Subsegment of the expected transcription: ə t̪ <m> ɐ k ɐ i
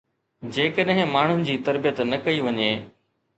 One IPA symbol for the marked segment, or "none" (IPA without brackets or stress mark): n